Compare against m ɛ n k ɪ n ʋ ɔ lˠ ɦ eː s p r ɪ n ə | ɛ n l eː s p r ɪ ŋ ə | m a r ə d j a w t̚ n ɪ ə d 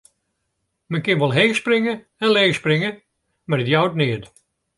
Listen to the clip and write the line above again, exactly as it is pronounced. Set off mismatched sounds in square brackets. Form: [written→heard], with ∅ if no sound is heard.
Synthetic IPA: m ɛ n k ɪ n ʋ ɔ lˠ ɦ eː s p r ɪ [n→ŋ] ə | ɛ n l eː s p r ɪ ŋ ə | m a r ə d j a w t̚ n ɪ ə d